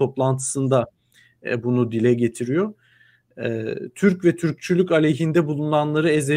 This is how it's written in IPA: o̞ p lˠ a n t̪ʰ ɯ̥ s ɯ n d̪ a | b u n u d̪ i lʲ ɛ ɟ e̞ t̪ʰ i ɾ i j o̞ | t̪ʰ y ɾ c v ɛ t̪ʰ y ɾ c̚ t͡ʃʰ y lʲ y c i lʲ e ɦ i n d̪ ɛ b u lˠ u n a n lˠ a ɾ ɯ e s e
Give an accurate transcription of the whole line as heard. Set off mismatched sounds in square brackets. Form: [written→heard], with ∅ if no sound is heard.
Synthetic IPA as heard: o̞ p lˠ a n t̪ʰ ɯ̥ s ɯ n d̪ a | b u n u d̪ i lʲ ɛ ɟ e̞ t̪ʰ i ɾ i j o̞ | t̪ʰ y ɾ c v ɛ t̪ʰ y ɾ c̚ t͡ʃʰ y lʲ y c [i→a] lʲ e ɦ i n d̪ ɛ b u lˠ u n a n lˠ a ɾ ɯ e [s→z] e